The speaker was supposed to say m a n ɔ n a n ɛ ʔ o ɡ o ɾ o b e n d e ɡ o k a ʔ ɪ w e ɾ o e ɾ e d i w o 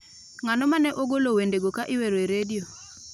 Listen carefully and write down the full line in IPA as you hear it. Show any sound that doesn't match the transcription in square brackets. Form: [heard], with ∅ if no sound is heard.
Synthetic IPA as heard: [ŋ] a n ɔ [m] a n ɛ ʔ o ɡ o [l] o [w] e n d e ɡ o k a ʔ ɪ w e ɾ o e ɾ e d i [∅] o